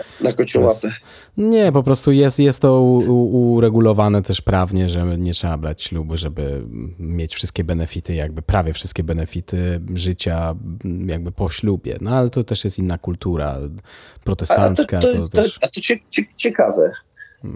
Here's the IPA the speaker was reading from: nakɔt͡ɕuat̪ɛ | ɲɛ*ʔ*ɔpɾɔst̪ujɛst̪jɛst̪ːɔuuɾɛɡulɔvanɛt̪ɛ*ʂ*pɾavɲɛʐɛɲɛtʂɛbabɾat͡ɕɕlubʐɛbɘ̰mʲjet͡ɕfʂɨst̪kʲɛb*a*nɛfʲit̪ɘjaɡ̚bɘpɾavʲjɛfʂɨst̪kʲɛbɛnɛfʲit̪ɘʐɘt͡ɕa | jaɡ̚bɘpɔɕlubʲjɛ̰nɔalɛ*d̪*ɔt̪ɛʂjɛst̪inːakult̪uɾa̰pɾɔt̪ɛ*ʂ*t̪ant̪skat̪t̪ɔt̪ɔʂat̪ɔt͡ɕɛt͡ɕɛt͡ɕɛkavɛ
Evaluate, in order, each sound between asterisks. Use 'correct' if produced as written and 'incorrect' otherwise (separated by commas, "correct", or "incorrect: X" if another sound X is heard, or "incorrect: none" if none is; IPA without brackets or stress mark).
incorrect: p, correct, incorrect: ɛ, incorrect: t̪, incorrect: s